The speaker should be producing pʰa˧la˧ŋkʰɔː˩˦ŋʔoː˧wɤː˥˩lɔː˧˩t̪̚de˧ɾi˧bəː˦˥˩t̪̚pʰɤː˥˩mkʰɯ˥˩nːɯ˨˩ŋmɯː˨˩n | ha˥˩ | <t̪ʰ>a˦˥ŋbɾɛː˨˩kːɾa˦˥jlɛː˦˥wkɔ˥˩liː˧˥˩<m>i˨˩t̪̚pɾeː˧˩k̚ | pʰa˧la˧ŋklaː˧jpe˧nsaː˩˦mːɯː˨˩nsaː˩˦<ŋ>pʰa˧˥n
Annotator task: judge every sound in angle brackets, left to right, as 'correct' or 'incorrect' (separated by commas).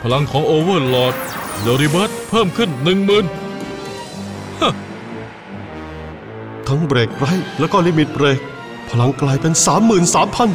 correct, correct, incorrect